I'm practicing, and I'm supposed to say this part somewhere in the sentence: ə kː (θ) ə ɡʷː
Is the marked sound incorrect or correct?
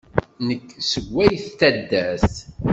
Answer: incorrect